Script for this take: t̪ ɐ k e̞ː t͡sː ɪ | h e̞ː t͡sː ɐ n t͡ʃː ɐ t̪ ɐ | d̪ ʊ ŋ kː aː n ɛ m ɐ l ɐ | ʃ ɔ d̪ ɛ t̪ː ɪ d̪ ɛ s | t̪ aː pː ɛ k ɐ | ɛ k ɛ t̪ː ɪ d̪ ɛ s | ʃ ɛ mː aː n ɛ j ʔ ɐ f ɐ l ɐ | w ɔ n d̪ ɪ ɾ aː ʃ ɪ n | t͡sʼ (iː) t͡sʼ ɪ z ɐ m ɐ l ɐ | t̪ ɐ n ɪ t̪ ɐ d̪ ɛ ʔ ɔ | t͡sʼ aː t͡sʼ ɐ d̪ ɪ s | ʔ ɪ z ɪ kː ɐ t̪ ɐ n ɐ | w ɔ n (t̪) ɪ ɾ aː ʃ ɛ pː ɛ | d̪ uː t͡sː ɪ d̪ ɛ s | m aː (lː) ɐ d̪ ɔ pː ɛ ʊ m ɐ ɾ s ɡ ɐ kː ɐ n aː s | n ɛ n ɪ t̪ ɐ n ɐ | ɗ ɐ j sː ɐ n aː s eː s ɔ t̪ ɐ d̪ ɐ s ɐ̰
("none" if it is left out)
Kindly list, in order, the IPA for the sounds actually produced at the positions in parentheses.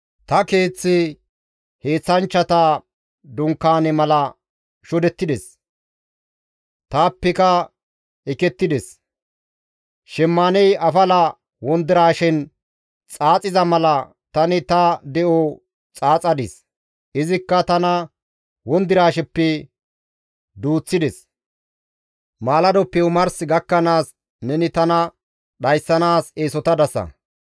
aː, d̪, l

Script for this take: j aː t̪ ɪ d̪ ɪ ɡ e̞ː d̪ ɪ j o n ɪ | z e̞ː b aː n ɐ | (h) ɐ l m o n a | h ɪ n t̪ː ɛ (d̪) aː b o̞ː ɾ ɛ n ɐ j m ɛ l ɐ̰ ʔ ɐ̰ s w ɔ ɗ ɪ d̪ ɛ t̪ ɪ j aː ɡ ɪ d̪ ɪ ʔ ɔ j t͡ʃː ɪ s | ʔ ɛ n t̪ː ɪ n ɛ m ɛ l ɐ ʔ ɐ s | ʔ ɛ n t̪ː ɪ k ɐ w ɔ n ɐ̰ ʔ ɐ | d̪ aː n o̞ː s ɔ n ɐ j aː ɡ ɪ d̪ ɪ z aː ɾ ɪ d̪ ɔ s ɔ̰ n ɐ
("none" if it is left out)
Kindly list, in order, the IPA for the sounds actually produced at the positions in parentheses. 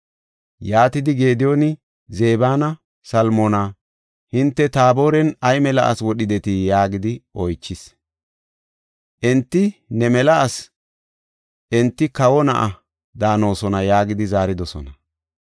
s, t̪

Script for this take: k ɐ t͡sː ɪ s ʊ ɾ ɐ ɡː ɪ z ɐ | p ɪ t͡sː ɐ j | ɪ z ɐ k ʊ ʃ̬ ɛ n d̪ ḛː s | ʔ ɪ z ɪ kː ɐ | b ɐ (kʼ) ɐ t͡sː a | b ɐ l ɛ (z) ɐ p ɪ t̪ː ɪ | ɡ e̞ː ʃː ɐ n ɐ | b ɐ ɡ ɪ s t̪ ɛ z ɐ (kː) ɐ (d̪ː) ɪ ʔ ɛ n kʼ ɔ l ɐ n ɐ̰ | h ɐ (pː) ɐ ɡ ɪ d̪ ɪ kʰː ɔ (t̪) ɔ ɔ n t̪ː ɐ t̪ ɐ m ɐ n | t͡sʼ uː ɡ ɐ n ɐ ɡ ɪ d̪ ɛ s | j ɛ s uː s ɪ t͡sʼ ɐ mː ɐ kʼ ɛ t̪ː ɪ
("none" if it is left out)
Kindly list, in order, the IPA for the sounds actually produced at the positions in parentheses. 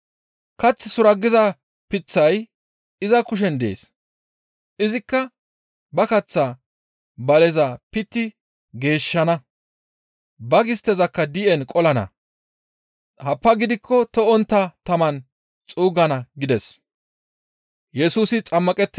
k, z, kː, d̪, pː, t̪

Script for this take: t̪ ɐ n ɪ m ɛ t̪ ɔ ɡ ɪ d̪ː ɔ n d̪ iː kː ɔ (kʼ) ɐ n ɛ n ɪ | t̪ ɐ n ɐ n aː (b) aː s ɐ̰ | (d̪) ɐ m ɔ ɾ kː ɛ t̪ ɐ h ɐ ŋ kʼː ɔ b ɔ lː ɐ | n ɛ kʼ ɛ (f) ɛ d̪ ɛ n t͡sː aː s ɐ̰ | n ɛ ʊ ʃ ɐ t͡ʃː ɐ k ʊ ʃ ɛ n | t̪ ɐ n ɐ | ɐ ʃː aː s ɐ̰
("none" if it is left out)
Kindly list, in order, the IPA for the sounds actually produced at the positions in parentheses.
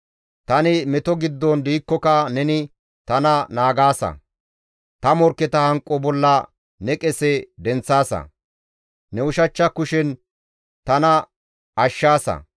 k, ɡ, t̪, s

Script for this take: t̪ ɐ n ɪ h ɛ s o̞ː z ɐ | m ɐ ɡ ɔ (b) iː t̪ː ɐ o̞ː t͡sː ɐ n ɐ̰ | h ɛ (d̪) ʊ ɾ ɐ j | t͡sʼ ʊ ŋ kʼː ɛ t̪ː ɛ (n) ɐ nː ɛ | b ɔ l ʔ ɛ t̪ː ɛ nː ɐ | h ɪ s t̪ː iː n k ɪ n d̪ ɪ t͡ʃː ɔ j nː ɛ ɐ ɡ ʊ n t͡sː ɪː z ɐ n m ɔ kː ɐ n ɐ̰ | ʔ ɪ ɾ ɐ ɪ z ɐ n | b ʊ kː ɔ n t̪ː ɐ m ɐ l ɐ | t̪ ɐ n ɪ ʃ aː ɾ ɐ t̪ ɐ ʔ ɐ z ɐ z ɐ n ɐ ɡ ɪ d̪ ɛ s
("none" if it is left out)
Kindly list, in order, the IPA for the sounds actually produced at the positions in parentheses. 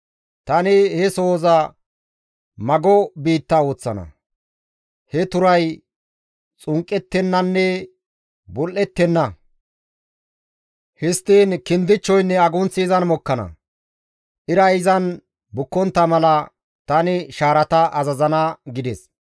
b, t̪, nː

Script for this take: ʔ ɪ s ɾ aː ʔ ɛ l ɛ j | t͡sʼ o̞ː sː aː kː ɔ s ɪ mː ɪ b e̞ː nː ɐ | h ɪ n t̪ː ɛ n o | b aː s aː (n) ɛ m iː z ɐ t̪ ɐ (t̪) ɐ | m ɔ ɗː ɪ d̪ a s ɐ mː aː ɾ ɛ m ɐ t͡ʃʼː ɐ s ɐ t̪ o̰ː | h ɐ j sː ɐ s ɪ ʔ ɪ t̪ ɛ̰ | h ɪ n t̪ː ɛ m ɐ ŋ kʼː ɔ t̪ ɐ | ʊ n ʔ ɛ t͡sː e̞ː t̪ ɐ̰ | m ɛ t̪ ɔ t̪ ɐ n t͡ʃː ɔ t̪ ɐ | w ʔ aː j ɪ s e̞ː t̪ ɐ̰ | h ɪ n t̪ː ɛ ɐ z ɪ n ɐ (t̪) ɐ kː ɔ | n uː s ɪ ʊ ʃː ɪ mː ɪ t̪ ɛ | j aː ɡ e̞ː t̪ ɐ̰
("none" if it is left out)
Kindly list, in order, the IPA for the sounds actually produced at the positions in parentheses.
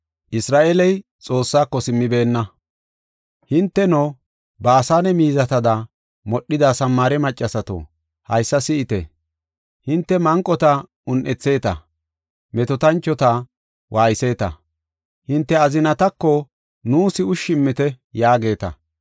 n, d̪, t̪

